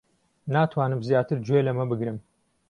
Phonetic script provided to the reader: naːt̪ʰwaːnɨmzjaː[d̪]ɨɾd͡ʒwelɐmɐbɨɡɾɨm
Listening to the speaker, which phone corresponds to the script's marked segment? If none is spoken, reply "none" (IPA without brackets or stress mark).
t̪